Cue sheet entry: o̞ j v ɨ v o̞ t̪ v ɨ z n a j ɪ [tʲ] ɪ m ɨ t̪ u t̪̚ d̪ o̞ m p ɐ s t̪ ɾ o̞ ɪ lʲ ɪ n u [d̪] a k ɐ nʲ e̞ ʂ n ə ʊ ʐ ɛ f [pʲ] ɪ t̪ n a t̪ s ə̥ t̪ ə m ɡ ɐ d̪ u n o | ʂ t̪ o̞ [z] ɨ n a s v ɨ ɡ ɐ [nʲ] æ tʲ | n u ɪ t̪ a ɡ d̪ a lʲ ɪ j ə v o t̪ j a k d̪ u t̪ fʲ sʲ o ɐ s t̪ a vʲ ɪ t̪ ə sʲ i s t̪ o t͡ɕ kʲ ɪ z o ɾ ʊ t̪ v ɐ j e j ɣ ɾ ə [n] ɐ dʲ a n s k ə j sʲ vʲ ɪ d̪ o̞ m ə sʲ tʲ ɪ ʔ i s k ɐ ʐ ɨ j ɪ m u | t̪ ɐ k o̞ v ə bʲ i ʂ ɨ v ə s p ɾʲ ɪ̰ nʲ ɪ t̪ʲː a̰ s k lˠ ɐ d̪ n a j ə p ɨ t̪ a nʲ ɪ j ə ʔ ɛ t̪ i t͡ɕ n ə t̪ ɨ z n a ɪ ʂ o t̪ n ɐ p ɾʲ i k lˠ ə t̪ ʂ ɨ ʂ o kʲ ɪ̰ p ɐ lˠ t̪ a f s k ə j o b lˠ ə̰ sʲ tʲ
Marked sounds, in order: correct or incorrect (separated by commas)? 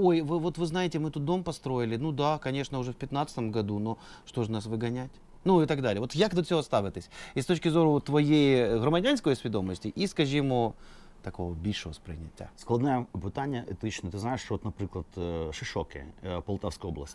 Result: correct, correct, correct, incorrect, correct, incorrect